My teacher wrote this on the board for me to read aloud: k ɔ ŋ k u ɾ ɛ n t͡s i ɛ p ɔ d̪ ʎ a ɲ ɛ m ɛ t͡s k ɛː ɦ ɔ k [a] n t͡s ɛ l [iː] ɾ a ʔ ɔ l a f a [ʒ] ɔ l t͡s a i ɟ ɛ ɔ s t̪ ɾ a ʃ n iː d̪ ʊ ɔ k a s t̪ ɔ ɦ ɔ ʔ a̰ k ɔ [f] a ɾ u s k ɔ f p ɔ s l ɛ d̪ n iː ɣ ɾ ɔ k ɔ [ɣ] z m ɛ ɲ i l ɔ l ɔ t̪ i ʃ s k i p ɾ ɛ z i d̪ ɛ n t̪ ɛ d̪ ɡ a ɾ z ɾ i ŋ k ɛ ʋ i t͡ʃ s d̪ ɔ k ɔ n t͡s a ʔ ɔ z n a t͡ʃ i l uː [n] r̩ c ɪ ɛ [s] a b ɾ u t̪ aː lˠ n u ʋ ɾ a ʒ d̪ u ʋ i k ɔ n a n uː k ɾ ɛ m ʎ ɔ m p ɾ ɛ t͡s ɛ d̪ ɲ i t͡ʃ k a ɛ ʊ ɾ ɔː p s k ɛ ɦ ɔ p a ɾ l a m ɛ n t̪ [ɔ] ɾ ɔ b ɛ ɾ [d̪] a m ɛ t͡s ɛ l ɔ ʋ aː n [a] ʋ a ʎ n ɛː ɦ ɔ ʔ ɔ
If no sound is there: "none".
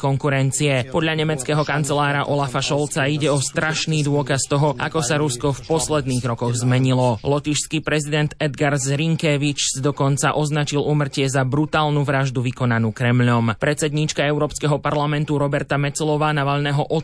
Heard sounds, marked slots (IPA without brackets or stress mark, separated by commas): a, aː, ʃ, s, ɣ, m, z, u, t̪, a